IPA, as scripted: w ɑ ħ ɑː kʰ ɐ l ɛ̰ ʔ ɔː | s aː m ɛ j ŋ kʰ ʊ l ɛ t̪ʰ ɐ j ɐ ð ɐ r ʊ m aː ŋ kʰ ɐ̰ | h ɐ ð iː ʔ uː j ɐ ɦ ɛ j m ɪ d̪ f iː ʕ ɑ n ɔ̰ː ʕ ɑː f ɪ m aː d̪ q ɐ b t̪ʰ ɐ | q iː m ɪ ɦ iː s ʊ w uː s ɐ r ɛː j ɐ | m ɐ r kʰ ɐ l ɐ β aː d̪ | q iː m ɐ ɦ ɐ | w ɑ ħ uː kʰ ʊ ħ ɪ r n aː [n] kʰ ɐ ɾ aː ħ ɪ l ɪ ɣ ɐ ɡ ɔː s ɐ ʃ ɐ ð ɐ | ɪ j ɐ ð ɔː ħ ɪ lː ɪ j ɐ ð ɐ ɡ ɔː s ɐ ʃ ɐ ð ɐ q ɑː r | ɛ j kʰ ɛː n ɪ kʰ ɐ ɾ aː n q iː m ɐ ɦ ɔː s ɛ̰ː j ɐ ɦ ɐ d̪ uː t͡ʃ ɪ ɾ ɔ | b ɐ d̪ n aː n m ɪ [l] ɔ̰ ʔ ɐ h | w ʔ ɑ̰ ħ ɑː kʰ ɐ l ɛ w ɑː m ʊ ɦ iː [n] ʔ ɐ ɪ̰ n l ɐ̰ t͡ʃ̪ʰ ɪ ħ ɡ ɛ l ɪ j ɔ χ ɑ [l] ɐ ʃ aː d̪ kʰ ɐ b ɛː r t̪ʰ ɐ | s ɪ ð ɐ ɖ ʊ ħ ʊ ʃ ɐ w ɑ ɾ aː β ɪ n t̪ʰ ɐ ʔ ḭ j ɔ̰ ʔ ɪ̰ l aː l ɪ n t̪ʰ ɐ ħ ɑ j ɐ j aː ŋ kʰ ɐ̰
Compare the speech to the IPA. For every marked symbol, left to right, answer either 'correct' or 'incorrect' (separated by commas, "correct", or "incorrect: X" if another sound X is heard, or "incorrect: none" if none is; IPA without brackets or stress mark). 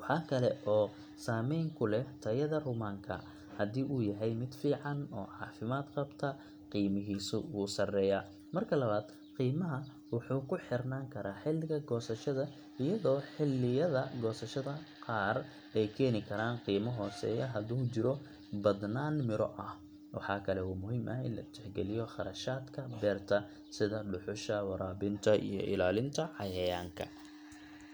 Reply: incorrect: ŋ, incorrect: ɾ, incorrect: m, incorrect: ɾ